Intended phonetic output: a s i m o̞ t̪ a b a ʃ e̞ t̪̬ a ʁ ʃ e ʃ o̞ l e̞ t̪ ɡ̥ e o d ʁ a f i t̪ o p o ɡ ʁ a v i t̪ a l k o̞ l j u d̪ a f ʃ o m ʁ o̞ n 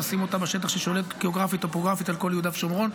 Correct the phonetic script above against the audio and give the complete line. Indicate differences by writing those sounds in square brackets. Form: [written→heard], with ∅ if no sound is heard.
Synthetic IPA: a s i m o̞ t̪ a b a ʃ e̞ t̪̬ a [ʁ→χ] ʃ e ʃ o̞ l e̞ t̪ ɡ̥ e o [d→ɡ] ʁ a f i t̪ o p o ɡ ʁ a [v→f] i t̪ a l k o̞ l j u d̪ a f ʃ o m ʁ o̞ n